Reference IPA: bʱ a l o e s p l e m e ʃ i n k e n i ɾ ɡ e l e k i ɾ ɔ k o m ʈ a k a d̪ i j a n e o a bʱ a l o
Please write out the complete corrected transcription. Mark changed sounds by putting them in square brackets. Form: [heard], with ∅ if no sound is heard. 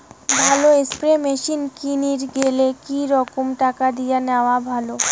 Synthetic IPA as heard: bʱ a l o e s p [ɾ] e m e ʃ i n k [i] n i ɾ ɡ e l e k i ɾ ɔ k o m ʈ a k a d̪ i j a n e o a bʱ a l o

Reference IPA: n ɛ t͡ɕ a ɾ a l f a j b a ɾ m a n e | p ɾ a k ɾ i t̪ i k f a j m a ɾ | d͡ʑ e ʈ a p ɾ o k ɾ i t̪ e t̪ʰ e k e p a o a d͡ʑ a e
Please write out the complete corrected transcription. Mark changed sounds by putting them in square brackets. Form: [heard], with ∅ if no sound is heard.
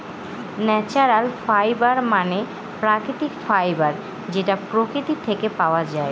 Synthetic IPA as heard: n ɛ t͡ɕ a ɾ a l f a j b a ɾ m a n e | p ɾ a k ɾ i t̪ i k f a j [b] a ɾ | d͡ʑ e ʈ a p ɾ o k ɾ i t̪ [i] t̪ʰ e k e p a o a d͡ʑ a e

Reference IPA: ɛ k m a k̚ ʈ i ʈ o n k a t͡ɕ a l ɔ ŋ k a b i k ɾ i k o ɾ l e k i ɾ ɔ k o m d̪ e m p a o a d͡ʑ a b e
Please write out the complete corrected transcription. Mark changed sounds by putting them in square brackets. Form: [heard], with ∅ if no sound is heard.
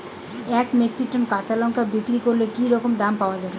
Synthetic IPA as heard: ɛ k m [e] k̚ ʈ i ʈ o n k a t͡ɕ a l ɔ ŋ k a b i k ɾ i k o ɾ l e k i ɾ ɔ k o m d̪ [a] m p a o a d͡ʑ a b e

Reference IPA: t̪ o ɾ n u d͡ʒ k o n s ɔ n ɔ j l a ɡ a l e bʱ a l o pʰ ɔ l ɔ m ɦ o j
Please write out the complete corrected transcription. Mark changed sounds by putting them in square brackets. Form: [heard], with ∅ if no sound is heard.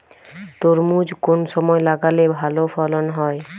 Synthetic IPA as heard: t̪ o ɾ [m] u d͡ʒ k o n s ɔ [m] ɔ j l a ɡ a l e bʱ a l o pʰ ɔ l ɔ [n] ɦ [ɔ] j

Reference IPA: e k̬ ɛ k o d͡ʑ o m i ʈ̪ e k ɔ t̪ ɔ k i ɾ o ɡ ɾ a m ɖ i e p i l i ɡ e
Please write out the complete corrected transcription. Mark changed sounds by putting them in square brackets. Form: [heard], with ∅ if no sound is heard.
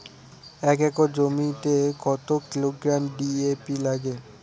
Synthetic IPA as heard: [ɛ] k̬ ɛ k o d͡ʑ o m i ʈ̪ e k ɔ t̪ [o] k i [l] o ɡ ɾ a m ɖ i e p i l [a] ɡ e

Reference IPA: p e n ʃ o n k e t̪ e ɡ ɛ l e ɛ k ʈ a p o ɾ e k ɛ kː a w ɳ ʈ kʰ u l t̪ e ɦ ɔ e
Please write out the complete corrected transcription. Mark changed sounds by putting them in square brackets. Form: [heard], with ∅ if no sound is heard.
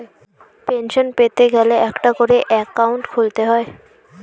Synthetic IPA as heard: p e n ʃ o n [p] e t̪ e ɡ ɛ l e ɛ k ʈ a [k] o ɾ e [ʔ] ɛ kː a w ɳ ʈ kʰ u l t̪ e ɦ ɔ e

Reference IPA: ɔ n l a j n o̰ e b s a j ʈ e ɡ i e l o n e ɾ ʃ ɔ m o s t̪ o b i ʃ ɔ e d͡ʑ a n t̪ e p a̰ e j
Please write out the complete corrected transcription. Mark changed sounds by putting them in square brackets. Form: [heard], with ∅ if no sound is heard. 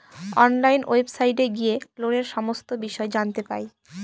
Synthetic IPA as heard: ɔ n l a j n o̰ e b s a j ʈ e ɡ i e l o n e ɾ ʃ ɔ m o s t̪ o b i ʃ ɔ e d͡ʑ a n t̪ e p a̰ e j

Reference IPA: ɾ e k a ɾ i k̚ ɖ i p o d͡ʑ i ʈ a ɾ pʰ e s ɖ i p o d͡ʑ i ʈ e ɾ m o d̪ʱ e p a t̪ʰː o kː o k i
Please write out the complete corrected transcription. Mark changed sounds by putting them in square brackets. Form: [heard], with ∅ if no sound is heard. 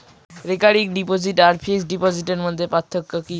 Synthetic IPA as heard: ɾ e k a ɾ i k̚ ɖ i p o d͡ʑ i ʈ a ɾ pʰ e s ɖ i p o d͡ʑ i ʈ e ɾ m o [d̪ʱː] e p a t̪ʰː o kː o k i

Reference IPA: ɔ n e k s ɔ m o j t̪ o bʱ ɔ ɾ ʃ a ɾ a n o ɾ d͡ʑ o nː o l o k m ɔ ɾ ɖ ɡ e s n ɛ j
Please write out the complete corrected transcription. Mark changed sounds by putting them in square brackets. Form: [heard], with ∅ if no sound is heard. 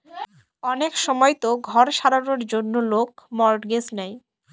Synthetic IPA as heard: ɔ n e k [ʃ] ɔ m [ɔ] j t̪ o [ɡʱ] ɔ ɾ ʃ a ɾ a n o ɾ d͡ʑ o nː o l o k m ɔ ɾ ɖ ɡ e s n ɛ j

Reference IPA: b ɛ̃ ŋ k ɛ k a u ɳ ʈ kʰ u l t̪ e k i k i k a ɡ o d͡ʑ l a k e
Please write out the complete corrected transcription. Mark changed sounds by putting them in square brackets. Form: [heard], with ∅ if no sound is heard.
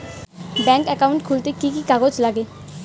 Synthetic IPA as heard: b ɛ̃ ŋ k ɛ k a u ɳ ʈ kʰ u l t̪ e k i k i k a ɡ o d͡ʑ l a [ɡ] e

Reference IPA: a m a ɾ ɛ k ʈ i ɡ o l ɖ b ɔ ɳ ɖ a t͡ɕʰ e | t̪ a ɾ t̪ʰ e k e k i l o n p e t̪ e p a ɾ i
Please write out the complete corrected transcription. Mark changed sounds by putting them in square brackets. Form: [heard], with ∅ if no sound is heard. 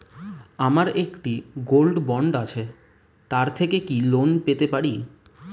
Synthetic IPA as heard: a m a ɾ [e] k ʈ i ɡ o l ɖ b ɔ ɳ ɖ a t͡ɕʰ e | t̪ a ɾ t̪ʰ e k e k i l o n p e t̪ e p a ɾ i

